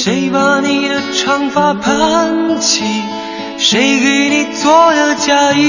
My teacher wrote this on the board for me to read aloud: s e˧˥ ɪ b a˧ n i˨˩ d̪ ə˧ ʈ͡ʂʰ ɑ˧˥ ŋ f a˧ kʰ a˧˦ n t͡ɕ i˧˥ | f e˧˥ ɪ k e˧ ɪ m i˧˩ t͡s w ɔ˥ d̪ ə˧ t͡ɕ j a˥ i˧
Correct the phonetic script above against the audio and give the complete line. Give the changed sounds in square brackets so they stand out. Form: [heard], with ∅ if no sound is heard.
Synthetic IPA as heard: [ʂ] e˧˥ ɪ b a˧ n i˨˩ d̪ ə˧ ʈ͡ʂʰ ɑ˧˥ ŋ f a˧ [pʰ] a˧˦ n [t͡ɕʰ] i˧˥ | [ʂ] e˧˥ ɪ k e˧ ɪ [n] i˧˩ t͡s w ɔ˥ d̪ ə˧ t͡ɕ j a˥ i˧